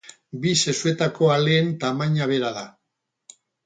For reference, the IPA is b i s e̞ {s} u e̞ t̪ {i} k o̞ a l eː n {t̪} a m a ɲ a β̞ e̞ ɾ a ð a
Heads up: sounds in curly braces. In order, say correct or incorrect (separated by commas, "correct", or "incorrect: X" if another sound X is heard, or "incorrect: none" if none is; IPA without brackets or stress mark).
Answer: correct, incorrect: a, correct